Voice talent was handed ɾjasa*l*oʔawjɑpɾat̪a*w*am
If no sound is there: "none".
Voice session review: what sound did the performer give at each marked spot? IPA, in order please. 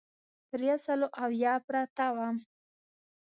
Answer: l, w

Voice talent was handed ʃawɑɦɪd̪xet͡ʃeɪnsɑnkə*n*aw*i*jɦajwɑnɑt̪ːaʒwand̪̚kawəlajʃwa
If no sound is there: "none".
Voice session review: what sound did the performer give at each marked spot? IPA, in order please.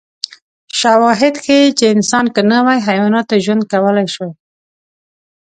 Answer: n, a

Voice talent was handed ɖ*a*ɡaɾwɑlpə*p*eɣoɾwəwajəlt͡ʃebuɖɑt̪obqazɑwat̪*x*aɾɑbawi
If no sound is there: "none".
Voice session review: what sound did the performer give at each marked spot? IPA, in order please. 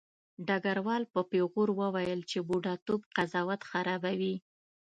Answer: a, p, x

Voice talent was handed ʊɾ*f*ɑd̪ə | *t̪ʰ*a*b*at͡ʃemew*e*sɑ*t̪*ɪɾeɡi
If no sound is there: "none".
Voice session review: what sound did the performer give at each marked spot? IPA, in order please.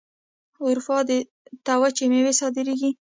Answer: f, t̪, w, e, d̪

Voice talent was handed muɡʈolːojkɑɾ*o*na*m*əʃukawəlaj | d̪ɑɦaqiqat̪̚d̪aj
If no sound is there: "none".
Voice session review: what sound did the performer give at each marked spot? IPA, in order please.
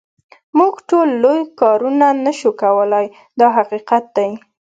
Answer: u, n

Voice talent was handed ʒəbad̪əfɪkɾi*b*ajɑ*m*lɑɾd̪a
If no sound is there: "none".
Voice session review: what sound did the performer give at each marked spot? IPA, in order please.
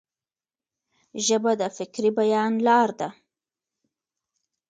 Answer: b, n

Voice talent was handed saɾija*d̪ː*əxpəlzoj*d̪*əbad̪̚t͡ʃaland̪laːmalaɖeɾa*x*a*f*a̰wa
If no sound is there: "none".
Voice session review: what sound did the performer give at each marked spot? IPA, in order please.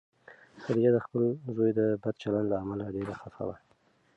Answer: d̪, d̪, x, f

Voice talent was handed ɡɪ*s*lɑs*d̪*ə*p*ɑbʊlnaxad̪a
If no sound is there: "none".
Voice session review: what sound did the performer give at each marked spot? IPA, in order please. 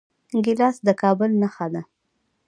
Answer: none, d̪, k

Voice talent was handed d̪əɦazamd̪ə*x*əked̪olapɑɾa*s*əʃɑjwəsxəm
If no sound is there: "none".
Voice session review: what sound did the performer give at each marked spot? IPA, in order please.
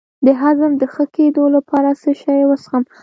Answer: x, s

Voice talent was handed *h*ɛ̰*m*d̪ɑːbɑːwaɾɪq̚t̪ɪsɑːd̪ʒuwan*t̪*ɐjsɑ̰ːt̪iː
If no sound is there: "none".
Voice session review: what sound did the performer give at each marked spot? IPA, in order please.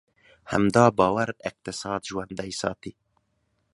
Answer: h, m, d̪

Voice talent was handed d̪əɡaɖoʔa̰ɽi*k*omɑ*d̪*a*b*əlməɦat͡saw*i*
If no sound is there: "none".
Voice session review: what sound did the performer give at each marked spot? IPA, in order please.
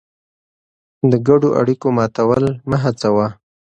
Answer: k, t̪, w, a

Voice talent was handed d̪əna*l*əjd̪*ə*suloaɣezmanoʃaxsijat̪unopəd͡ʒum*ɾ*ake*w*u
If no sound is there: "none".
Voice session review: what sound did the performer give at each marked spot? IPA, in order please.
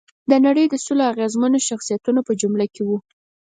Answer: ɽ, ə, l, w

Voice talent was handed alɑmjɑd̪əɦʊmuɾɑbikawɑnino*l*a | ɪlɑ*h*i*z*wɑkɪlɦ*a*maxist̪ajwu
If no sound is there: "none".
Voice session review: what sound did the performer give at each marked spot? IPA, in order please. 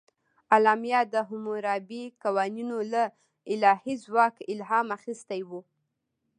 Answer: l, h, z, ɑ

